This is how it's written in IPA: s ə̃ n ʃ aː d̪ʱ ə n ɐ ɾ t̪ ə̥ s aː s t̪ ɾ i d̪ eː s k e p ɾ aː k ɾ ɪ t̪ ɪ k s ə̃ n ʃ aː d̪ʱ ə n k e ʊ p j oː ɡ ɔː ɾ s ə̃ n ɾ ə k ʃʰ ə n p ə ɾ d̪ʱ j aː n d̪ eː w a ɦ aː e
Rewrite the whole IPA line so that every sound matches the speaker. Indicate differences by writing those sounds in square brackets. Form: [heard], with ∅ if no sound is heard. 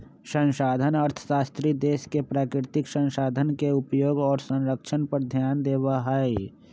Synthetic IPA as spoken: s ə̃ n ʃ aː d̪ʱ ə n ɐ ɾ [t̪ʰ] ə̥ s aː s t̪ ɾ i d̪ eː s k e p ɾ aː k ɾ ɪ t̪ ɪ k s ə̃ n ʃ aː d̪ʱ ə n k e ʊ p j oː ɡ ɔː ɾ s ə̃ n ɾ ə k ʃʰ ə n p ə ɾ d̪ʱ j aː n d̪ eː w a ɦ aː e